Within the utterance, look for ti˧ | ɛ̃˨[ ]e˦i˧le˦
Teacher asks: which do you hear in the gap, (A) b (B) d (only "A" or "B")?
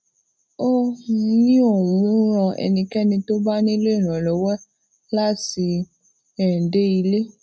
B